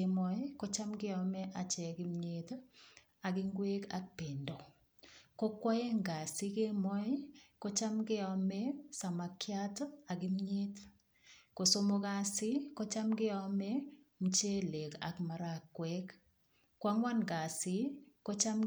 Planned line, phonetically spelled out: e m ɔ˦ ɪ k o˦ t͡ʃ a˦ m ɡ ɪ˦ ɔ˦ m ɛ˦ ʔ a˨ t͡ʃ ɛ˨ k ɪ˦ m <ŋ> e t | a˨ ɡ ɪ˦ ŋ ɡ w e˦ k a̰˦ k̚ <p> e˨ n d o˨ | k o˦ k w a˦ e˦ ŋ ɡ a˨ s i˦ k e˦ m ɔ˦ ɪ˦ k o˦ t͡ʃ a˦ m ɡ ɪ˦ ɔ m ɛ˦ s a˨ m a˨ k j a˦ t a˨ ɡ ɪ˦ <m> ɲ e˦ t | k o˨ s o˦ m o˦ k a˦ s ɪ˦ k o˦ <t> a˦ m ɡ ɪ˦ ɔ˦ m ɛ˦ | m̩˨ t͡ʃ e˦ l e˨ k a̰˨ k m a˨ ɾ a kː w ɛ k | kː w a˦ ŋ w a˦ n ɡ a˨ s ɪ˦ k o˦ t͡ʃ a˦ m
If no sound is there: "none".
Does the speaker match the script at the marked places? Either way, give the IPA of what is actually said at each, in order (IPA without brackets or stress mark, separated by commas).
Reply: ɲ, p, m, t͡ʃ